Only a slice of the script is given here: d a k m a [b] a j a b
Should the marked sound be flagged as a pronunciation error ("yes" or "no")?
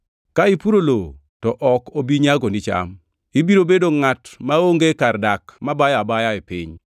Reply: no